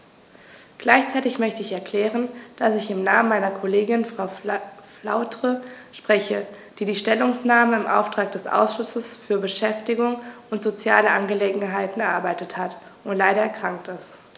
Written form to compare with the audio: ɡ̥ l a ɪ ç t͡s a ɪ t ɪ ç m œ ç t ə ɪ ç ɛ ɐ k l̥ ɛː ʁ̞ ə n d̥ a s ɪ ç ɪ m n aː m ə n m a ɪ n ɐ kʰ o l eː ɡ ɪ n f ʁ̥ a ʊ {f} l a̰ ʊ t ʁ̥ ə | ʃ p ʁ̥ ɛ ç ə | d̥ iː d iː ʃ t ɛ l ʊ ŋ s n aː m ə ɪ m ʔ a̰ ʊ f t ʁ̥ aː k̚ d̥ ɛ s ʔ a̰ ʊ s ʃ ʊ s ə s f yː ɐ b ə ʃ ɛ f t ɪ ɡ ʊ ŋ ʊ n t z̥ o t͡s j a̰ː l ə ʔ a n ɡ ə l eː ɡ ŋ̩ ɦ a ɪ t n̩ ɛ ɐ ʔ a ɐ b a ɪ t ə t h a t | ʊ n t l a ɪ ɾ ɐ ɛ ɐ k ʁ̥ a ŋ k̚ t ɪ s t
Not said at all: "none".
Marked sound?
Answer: f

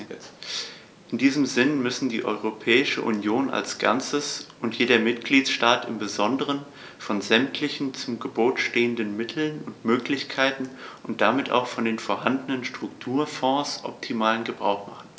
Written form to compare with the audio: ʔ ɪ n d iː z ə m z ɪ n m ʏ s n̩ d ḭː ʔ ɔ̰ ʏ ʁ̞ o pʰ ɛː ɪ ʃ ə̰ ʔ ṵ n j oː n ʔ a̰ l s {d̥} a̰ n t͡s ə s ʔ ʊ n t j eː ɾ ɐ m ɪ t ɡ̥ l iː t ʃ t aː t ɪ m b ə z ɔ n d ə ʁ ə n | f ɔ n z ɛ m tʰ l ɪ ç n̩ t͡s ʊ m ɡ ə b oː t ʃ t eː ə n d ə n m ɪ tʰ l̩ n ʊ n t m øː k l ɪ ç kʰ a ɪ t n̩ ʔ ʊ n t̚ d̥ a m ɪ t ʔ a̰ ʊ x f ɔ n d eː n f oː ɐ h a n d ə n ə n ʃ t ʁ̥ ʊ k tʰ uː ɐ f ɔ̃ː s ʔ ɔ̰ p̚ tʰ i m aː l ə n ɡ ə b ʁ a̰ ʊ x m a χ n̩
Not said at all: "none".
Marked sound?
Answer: ɡ̥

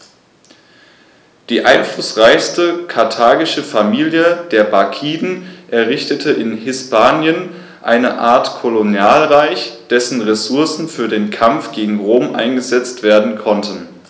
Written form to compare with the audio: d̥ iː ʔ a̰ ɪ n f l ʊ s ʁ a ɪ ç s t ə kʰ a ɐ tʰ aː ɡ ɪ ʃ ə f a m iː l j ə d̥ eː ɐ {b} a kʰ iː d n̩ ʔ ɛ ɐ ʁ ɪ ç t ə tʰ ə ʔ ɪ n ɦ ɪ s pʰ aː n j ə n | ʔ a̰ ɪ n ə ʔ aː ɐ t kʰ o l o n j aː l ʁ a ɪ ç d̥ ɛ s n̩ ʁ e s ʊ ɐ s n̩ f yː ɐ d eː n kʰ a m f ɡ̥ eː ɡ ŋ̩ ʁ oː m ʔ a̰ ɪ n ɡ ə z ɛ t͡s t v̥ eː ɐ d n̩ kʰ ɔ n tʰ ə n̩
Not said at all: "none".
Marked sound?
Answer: b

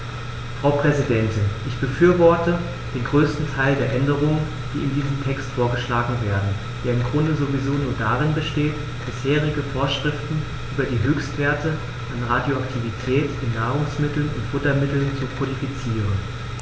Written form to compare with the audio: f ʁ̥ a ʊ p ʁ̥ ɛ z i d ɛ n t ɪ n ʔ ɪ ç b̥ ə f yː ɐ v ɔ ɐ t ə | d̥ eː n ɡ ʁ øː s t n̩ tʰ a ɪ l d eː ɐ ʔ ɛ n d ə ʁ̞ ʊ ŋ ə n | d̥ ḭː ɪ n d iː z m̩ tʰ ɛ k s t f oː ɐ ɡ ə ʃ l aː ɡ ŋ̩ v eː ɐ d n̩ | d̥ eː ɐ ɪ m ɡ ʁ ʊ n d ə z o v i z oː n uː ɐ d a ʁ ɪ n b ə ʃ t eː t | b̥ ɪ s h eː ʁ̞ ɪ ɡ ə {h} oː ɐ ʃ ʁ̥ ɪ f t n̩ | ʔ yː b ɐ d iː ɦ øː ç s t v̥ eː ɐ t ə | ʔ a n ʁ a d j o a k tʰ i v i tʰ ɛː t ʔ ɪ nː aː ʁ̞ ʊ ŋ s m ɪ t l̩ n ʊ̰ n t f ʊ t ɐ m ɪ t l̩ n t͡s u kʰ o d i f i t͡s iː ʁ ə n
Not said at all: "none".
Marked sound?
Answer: f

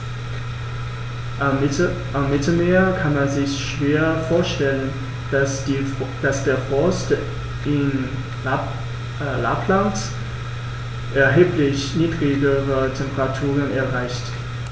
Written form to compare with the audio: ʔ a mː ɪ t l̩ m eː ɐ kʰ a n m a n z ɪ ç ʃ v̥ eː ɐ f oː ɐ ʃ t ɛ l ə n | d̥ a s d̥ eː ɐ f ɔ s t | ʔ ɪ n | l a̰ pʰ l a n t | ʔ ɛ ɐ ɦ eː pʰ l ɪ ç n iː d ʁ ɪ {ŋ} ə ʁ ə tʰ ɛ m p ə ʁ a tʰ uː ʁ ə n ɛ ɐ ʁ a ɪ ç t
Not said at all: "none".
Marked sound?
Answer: ɡ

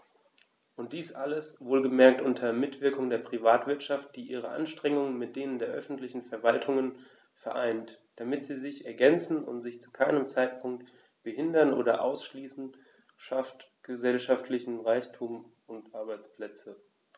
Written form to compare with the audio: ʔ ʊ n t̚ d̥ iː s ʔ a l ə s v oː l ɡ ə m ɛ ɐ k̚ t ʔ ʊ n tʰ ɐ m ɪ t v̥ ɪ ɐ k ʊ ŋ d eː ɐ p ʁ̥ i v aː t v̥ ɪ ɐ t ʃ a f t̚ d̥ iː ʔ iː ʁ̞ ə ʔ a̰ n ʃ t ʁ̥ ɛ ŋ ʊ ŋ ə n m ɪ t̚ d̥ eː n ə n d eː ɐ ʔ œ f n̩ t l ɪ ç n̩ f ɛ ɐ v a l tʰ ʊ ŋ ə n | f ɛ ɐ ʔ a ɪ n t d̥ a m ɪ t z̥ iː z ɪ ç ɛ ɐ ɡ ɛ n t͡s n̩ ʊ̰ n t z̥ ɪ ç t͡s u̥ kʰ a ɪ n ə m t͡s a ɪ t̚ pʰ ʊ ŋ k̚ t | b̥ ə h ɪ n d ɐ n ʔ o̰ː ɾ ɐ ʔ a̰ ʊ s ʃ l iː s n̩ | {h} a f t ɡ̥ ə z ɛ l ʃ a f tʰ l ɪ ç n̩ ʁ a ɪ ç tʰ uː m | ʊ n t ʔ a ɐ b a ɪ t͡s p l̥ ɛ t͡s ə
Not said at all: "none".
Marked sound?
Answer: ʃ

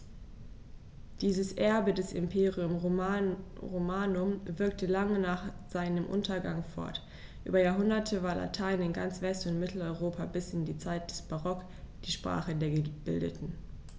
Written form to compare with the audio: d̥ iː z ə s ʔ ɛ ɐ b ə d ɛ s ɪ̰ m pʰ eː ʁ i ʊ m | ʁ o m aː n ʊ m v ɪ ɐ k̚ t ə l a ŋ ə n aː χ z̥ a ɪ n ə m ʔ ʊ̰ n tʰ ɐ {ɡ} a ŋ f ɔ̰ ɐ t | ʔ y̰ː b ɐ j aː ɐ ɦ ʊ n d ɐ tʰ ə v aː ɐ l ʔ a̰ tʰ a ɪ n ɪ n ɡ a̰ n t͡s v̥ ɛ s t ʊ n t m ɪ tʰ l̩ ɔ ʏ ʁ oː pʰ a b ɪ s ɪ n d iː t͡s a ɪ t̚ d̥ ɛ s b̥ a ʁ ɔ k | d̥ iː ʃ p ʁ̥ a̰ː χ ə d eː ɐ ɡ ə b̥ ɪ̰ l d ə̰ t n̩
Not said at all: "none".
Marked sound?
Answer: ɡ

